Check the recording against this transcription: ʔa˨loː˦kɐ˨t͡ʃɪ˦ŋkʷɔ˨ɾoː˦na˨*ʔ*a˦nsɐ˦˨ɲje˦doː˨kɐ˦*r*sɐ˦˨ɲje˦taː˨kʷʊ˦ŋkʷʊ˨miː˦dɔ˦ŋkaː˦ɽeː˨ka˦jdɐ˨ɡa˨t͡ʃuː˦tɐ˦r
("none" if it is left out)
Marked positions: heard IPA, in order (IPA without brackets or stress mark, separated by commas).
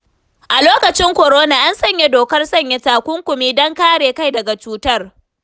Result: ʔ, r